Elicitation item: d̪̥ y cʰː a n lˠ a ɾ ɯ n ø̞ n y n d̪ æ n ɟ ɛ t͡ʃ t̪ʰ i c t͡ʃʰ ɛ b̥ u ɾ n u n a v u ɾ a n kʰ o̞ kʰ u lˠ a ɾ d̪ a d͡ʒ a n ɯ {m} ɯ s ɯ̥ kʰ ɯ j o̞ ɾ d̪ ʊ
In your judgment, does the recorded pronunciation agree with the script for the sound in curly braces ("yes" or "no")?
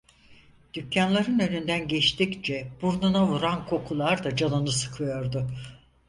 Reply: no